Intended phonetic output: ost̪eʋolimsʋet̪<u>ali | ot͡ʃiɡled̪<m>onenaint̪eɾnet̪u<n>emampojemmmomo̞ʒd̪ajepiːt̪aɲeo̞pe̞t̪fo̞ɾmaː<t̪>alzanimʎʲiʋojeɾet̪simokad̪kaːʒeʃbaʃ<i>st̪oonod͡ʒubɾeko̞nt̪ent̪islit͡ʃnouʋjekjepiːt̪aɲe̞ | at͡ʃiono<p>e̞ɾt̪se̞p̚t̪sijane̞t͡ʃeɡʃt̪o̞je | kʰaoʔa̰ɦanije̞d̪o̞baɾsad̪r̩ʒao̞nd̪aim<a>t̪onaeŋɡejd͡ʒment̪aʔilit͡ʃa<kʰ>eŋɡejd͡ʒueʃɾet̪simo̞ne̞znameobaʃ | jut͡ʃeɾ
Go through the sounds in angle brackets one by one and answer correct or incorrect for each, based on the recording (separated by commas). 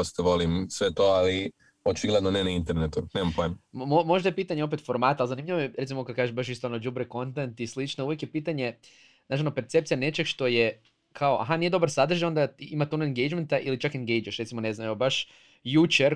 incorrect, incorrect, correct, correct, correct, correct, correct, incorrect